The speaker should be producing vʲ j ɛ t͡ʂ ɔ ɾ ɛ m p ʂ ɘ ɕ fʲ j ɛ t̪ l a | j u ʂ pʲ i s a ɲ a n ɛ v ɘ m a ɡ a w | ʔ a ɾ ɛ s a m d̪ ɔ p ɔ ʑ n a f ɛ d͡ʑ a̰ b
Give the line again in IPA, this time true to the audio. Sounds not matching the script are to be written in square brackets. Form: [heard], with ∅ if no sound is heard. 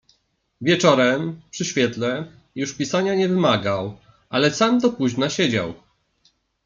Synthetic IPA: vʲ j ɛ t͡ʂ ɔ ɾ ɛ m p ʂ ɘ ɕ fʲ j ɛ t̪ l [ɛ] | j u ʂ pʲ i s a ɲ a [ɲ] ɛ v ɘ m a ɡ a w | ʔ a [l] ɛ s a m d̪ ɔ p [u] ʑ n a [ɕ] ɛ d͡ʑ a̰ [w]